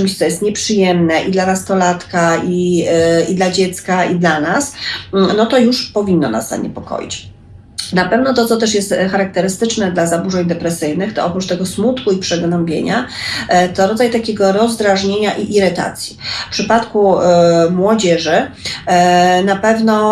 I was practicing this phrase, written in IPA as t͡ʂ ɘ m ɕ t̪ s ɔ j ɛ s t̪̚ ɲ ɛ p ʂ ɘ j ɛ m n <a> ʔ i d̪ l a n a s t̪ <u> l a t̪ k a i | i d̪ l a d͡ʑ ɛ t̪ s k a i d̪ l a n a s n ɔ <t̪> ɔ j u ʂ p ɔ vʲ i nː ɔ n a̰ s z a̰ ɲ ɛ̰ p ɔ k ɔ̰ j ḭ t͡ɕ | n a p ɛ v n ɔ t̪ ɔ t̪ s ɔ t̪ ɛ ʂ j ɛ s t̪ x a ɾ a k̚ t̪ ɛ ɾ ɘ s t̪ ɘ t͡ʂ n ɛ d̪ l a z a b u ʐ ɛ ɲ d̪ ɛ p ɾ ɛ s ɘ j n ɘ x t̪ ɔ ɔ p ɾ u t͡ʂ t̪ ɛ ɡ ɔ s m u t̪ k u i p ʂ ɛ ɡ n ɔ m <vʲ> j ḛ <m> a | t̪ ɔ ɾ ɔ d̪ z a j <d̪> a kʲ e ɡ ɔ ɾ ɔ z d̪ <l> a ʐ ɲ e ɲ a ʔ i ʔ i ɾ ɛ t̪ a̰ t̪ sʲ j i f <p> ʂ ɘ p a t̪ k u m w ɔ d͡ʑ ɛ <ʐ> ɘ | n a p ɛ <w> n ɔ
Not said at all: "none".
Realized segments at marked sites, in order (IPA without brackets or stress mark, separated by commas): ɛ, ɔ, t̪, bʲ, ɲ, t̪, ɾ, p, ʐ, v